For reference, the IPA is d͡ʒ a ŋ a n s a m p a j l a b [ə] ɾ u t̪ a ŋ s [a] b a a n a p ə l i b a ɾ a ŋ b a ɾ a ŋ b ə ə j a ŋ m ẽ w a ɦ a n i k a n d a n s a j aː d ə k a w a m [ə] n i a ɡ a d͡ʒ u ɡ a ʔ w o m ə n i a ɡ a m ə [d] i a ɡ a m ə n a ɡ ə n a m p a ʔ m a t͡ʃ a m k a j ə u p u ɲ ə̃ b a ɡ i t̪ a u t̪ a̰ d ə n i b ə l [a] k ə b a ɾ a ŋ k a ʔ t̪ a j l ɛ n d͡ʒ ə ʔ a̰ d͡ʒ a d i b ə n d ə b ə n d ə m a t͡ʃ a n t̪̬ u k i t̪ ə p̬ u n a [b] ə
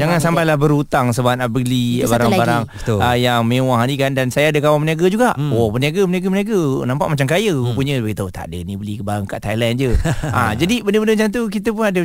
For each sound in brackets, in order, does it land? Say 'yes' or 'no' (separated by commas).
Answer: yes, no, yes, no, no, no